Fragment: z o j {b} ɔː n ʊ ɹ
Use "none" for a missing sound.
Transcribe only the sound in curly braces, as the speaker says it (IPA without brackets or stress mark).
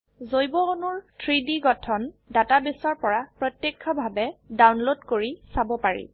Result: b